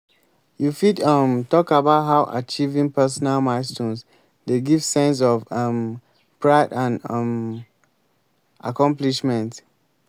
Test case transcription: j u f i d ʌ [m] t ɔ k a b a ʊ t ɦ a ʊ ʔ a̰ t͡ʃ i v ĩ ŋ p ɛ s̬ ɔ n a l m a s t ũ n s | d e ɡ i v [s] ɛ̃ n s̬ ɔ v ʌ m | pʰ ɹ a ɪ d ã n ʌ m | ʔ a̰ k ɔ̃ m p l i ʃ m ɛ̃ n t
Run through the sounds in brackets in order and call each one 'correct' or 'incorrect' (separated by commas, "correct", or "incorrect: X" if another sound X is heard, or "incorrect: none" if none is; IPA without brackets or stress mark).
correct, correct